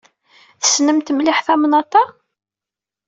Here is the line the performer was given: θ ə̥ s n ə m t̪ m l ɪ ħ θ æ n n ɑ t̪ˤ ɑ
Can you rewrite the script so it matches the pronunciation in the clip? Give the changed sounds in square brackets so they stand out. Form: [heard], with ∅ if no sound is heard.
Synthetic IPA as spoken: θ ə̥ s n ə m t̪ m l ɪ ħ θ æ [m] n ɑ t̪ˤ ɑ